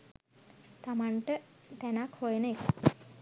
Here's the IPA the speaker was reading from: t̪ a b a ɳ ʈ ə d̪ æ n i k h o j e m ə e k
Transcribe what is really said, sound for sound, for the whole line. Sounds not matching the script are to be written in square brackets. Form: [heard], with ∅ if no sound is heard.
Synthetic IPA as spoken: t̪ a [m] a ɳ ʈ ə [t̪] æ n [a] k h o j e [n] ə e k